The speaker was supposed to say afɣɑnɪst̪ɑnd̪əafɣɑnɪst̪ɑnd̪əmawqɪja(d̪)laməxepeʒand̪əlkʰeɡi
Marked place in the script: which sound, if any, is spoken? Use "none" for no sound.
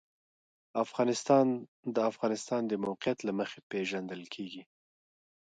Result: t̪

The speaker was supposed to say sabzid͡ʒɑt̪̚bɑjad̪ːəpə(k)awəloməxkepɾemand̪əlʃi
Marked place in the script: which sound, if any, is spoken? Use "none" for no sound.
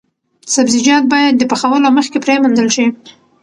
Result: x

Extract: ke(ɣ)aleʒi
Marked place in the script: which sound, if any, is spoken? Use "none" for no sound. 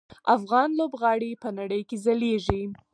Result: z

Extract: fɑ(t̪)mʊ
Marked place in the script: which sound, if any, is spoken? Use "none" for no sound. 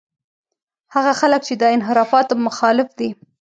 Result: t̪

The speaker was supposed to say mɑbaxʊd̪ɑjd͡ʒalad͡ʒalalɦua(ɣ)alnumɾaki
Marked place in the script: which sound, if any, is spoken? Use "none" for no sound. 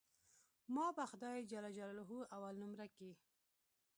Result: w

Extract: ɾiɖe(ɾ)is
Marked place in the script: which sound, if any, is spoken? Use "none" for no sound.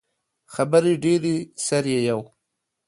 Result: ɾ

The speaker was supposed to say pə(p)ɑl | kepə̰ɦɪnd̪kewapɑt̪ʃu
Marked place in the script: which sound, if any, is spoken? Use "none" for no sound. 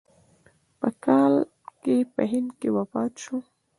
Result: k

